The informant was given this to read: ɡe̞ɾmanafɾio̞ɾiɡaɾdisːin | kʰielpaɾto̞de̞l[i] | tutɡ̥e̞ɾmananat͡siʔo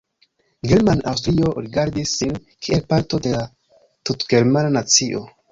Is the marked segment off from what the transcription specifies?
yes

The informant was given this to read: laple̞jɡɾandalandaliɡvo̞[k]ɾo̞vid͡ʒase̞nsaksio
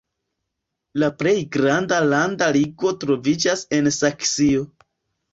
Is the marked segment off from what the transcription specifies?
yes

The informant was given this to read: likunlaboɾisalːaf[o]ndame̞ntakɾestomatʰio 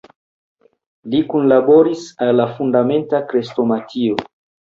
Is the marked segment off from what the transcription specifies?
yes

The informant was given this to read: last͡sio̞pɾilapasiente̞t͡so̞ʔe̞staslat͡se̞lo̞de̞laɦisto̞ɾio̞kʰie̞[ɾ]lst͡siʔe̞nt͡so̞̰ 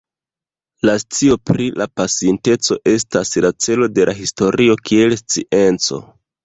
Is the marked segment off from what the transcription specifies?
yes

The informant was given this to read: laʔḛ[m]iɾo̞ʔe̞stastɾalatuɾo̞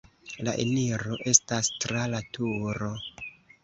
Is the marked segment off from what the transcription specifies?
yes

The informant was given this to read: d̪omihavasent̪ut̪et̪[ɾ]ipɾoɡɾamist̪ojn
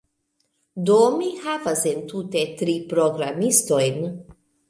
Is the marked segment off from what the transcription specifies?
no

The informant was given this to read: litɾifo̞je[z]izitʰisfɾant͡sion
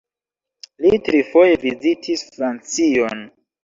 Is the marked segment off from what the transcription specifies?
yes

